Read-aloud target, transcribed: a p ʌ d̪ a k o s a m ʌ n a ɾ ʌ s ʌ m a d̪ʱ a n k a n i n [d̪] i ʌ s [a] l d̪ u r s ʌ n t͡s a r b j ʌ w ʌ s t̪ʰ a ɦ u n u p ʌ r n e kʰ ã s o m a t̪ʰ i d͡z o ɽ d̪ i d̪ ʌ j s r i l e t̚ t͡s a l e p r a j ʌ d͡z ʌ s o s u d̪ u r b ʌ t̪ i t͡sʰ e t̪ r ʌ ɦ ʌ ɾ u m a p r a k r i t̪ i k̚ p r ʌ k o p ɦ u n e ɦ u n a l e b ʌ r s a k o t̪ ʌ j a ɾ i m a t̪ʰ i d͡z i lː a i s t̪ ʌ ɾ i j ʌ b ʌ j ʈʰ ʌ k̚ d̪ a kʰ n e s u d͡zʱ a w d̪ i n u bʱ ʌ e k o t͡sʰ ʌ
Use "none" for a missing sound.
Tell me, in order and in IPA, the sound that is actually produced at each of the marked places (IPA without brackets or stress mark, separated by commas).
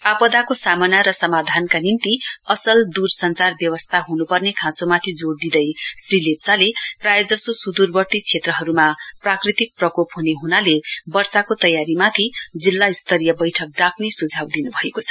t̪, ʌ